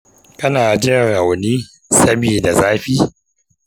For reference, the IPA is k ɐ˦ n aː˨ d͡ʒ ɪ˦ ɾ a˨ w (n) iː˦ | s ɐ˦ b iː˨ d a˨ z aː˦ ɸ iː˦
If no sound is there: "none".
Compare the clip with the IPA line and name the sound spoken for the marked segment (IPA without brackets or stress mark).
n